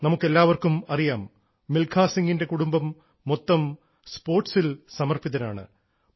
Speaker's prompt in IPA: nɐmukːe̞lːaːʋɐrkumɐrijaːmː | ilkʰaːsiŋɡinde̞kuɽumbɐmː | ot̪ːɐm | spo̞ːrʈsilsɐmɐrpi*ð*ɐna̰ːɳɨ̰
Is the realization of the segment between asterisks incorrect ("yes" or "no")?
no